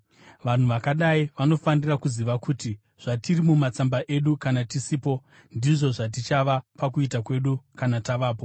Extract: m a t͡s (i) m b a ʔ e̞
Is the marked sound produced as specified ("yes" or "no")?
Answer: no